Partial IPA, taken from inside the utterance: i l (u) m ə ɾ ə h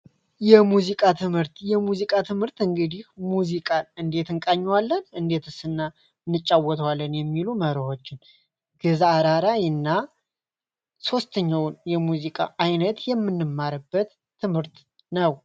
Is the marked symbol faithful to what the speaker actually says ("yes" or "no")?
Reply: yes